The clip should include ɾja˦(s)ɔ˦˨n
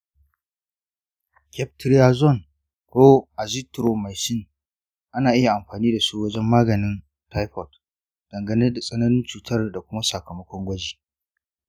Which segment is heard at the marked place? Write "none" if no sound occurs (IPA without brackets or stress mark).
z